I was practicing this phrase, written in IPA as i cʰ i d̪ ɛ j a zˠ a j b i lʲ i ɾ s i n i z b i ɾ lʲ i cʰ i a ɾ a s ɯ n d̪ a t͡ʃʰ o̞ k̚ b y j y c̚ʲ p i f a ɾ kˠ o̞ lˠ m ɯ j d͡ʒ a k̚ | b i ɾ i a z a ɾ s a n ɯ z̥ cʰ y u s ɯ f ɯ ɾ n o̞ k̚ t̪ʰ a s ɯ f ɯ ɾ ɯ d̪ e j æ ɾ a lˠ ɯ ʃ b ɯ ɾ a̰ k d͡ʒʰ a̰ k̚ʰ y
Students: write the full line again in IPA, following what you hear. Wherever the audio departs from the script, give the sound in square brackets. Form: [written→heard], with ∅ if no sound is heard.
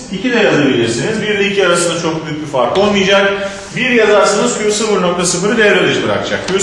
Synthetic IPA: i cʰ i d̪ ɛ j a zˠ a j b i lʲ i ɾ s i n i z b i ɾ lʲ i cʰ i a ɾ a s ɯ n d̪ a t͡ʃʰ o̞ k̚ b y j y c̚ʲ [p→b] i f a ɾ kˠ o̞ lˠ m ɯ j d͡ʒ a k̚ | b i ɾ [i→j] a z a ɾ s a n ɯ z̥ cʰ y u s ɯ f ɯ ɾ n o̞ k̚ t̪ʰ a s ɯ f ɯ ɾ ɯ d̪ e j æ ɾ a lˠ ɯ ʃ b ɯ ɾ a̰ k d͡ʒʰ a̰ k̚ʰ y